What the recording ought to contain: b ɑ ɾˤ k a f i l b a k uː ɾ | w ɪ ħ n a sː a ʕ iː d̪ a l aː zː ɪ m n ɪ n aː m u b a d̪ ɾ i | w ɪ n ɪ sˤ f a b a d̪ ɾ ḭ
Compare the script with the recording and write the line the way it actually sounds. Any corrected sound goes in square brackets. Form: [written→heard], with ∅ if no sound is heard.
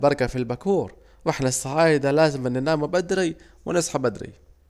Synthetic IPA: b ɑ ɾˤ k a f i l b a k uː ɾ | w ɪ ħ n a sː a ʕ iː d̪ a l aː [zː→z] ɪ m n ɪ n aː m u b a d̪ ɾ i | w ɪ n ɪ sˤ [f→ħ] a b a d̪ ɾ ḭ